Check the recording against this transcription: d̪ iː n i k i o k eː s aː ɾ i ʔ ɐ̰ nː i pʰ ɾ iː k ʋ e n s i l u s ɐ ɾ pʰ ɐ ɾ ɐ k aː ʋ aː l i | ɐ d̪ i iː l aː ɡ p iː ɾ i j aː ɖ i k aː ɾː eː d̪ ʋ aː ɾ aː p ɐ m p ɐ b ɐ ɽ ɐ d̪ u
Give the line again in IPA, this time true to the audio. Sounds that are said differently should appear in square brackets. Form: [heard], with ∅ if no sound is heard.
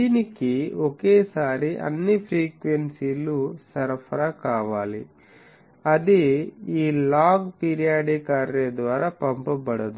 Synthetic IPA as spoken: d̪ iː n i k i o k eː s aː ɾ i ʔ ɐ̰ nː i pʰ ɾ iː k ʋ e n s i l u s ɐ ɾ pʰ ɐ ɾ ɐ k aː ʋ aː l i | ɐ d̪ i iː l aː ɡ p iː ɾ i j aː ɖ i k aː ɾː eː d̪ ʋ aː ɾ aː p ɐ m p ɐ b ɐ ɽ ɐ d̪ u